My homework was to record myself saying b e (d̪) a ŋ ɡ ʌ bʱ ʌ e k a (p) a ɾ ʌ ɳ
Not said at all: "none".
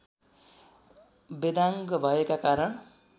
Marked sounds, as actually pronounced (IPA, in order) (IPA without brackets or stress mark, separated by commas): d̪, k